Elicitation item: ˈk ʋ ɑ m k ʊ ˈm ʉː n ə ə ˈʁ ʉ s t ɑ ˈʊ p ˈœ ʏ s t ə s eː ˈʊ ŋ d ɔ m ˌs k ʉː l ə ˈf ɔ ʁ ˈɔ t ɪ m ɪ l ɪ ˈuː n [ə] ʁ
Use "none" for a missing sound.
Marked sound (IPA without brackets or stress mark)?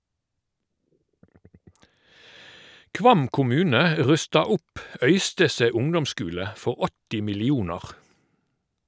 ɑ